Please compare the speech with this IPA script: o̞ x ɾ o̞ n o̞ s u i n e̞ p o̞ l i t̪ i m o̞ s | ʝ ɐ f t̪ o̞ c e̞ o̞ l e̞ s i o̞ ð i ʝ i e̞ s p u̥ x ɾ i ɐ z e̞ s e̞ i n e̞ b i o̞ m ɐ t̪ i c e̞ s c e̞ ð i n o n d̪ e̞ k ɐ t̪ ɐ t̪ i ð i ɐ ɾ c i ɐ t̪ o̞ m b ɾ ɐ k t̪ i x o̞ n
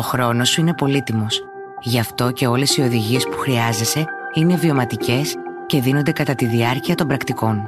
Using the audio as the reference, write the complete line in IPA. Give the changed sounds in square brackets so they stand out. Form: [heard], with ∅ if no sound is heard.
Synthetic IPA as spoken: o̞ x ɾ o̞ n o̞ s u i n e̞ p o̞ l i t̪ i m o̞ s | ʝ ɐ f t̪ o̞ c e̞ o̞ l e̞ s i o̞ ð i ʝ i e̞ s p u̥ x ɾ i ɐ z e̞ s e̞ i n e̞ [v] i o̞ m ɐ t̪ i c e̞ s c e̞ ð i n o n d̪ e̞ k ɐ t̪ ɐ t̪ i ð i ɐ ɾ c i ɐ t̪ o̞ m b ɾ ɐ k t̪ i [k] o̞ n